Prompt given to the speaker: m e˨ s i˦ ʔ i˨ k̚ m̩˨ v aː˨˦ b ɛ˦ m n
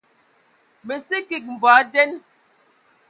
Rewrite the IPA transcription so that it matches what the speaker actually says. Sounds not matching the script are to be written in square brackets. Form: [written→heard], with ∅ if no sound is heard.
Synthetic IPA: m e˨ s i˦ [ʔ→k] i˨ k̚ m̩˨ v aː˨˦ [b→d] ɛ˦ [m→∅] n